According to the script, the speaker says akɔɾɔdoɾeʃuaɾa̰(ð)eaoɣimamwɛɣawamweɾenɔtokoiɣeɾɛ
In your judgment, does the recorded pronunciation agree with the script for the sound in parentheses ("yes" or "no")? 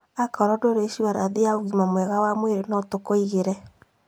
yes